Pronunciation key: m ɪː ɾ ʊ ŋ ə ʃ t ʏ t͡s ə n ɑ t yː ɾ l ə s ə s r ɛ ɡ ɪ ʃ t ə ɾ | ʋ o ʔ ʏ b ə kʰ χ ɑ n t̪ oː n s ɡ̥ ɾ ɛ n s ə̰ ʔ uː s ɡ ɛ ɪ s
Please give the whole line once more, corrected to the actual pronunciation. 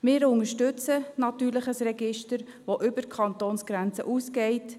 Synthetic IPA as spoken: m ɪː ɾ ʊ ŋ ə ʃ t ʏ t͡s ə n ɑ t yː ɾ l ə χ ə s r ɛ ɡ ɪ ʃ t ə ɾ | ʋ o ʔ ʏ b ə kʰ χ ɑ n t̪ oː n s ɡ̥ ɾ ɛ n t͡s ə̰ ʔ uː s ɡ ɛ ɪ t